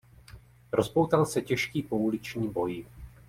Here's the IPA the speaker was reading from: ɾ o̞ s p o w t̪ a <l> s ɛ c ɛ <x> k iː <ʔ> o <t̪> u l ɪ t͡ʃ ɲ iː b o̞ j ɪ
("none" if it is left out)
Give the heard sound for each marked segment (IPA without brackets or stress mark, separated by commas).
l, ʃ, p, none